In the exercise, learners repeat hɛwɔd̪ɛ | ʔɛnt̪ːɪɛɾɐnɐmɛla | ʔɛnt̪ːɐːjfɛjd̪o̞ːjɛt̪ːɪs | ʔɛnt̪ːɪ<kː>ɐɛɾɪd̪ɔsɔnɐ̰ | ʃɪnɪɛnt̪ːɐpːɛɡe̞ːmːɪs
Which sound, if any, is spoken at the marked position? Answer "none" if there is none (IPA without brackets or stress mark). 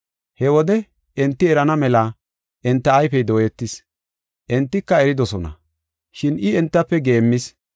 kː